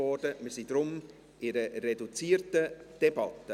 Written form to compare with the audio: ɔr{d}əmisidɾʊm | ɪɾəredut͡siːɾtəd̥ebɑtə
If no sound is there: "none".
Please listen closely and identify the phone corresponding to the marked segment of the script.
d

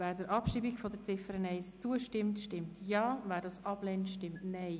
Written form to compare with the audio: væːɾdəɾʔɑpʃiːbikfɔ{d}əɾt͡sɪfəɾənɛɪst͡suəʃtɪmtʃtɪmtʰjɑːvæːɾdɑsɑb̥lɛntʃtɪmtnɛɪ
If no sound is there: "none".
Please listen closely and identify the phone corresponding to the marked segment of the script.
d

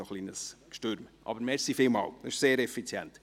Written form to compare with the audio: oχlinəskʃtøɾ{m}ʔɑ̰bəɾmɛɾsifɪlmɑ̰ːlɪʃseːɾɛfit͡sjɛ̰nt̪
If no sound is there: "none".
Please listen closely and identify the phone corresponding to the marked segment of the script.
m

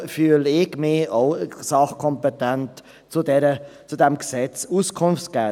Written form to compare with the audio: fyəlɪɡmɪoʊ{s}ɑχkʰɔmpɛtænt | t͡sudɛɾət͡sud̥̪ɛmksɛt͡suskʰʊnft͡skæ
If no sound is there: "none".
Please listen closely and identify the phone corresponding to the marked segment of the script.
s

